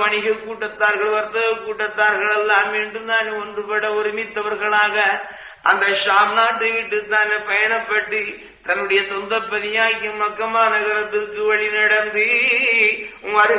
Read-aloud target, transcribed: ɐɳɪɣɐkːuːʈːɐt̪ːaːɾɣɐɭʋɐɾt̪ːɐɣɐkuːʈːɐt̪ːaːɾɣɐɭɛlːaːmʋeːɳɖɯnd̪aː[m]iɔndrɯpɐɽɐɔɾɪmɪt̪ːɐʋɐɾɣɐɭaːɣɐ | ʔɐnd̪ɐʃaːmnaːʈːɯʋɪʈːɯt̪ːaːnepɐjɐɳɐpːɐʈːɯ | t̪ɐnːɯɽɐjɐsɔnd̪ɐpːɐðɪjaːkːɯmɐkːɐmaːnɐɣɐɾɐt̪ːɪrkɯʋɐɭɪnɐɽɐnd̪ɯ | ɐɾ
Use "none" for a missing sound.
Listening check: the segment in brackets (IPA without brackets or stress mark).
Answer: n